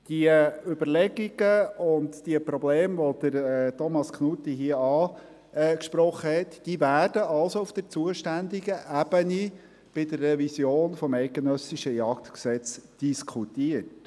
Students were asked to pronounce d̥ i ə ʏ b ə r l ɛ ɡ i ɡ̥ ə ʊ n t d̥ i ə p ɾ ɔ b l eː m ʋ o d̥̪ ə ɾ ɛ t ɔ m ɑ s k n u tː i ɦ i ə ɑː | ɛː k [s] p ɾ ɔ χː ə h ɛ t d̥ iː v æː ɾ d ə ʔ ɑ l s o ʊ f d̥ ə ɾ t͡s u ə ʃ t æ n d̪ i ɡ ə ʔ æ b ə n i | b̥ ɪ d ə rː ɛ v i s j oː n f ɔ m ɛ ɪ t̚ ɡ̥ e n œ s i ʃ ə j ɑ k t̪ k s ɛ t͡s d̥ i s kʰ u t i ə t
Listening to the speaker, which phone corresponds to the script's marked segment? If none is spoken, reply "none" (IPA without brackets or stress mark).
ʃ